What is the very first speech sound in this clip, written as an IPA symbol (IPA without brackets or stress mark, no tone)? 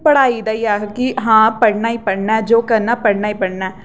p